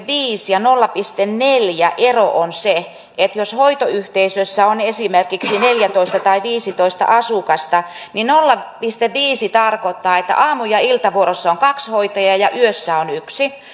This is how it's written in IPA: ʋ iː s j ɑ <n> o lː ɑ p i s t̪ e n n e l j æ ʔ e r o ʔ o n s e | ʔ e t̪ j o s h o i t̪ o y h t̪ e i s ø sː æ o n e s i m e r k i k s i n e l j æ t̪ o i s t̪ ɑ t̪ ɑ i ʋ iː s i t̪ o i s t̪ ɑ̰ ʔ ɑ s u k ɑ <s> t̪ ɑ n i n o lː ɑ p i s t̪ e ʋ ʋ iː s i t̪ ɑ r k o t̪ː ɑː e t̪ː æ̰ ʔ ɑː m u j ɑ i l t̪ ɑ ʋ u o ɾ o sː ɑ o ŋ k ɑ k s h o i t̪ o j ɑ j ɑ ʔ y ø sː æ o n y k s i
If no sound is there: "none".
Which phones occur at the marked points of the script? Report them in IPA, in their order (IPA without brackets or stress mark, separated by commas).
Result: n, s